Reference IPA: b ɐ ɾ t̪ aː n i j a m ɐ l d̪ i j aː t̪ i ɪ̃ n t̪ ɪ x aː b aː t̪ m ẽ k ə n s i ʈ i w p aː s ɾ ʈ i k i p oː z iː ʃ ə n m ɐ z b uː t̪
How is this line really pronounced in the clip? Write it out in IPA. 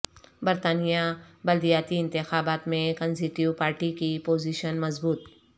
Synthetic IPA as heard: b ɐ ɾ t̪ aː n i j a b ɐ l d̪ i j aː t̪ i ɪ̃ n t̪ ɪ x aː b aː t̪ m ẽ k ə n s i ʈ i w p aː ɾ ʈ i k i p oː z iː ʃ ə n m ɐ z b uː t̪